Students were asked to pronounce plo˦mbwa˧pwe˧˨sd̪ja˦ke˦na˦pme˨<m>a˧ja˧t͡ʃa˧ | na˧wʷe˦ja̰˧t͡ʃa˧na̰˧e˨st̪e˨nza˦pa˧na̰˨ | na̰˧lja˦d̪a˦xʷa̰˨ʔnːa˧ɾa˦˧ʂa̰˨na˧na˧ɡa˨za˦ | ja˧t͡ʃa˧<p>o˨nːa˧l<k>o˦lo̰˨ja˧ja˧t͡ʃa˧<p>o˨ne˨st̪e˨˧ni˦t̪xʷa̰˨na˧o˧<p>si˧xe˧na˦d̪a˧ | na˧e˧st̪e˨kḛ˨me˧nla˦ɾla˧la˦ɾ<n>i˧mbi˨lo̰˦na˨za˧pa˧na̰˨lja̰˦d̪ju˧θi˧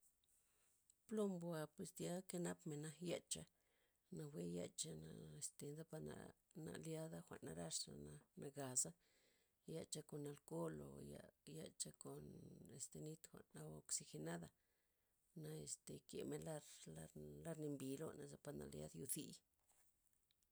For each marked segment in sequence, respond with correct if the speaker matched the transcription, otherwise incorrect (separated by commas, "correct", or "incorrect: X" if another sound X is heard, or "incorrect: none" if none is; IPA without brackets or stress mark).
incorrect: n, incorrect: k, correct, incorrect: k, incorrect: k, correct